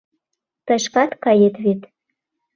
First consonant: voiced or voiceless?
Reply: voiceless